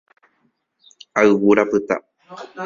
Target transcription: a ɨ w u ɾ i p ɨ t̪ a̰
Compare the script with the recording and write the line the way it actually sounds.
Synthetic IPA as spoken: a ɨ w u ɾ a p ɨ t̪ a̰